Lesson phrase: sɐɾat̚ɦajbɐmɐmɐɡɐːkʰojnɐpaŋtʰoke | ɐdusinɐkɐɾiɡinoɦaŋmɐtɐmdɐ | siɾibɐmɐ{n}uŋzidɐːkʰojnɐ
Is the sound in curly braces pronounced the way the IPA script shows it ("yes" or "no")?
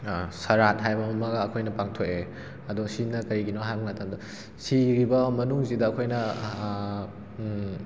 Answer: yes